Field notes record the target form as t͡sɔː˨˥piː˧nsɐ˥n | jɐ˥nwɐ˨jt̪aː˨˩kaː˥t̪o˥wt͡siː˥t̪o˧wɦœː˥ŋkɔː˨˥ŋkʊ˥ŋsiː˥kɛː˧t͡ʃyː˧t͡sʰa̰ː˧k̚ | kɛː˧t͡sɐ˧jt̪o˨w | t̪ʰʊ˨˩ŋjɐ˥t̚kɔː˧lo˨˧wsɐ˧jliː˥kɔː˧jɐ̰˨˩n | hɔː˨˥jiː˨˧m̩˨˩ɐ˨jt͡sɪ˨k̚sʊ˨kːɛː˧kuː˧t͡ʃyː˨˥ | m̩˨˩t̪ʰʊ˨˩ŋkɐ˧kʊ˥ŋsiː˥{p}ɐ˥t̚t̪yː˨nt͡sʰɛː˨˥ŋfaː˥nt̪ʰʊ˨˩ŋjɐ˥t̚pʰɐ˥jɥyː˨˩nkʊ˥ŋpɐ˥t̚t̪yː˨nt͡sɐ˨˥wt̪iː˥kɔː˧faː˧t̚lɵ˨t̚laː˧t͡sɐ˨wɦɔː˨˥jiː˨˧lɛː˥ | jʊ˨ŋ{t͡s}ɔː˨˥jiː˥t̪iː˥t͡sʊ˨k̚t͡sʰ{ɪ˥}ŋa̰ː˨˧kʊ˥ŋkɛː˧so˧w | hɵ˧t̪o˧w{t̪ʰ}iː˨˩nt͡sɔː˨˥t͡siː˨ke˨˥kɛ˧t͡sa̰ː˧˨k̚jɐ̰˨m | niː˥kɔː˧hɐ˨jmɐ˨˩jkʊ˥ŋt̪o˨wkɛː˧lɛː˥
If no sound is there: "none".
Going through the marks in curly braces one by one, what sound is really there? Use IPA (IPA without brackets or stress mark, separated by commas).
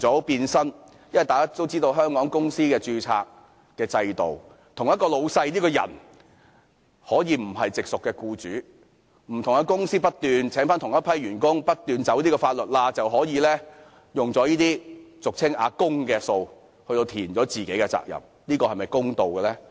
p, t͡s, ɪ˥, t̪ʰ